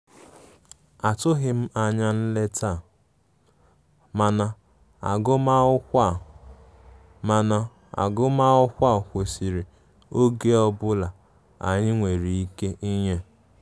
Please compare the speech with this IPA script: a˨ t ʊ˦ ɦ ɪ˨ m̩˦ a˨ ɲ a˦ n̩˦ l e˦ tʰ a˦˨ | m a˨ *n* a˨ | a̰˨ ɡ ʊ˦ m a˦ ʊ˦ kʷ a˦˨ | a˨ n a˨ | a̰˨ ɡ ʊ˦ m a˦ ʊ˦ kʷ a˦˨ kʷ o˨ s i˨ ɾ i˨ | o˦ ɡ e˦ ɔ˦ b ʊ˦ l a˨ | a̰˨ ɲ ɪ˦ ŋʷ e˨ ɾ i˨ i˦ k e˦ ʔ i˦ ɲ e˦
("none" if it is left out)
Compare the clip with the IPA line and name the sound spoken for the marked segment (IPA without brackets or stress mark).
n